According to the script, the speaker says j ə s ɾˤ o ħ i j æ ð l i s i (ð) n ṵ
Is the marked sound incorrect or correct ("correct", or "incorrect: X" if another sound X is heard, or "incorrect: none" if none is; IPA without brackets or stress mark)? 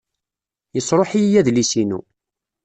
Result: incorrect: none